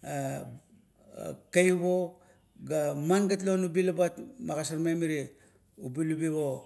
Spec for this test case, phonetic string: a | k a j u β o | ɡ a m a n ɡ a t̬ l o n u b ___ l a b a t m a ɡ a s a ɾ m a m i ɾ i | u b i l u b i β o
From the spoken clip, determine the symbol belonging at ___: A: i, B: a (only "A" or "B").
A